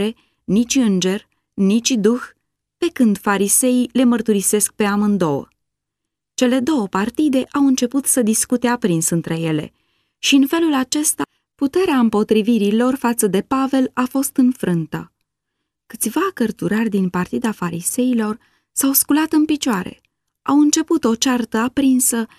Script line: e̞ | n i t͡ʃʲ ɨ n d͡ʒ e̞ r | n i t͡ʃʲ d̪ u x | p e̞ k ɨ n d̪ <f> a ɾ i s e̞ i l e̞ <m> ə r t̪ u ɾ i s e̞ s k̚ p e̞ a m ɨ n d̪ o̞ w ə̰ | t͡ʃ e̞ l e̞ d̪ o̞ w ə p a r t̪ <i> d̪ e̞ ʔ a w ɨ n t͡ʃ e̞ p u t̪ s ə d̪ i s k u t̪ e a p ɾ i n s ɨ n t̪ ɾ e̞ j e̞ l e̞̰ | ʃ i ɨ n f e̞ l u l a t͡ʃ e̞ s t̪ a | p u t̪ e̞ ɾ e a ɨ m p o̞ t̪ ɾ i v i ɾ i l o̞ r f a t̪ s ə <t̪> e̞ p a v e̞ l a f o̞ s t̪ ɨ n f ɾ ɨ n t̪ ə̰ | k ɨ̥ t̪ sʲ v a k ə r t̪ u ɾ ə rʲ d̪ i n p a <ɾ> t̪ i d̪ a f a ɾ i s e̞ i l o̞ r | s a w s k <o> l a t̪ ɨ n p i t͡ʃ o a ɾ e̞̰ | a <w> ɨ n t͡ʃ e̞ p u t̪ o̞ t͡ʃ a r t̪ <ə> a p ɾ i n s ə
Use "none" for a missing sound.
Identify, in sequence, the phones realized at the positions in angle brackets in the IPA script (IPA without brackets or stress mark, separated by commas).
f, m, i, d̪, r, u, w, ə